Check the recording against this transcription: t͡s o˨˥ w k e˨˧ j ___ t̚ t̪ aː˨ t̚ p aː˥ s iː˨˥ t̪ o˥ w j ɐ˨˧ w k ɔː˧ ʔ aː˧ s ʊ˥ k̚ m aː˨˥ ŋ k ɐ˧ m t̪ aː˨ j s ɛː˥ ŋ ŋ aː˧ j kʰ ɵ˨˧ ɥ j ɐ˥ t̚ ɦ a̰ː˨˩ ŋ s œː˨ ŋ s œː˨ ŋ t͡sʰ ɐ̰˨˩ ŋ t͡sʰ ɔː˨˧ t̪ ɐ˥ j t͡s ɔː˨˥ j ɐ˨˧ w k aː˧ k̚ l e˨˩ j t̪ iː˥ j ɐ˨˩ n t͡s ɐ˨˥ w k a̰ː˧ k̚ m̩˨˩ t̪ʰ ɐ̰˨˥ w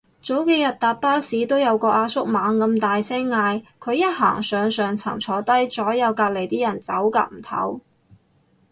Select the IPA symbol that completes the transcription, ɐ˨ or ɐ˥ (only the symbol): ɐ˨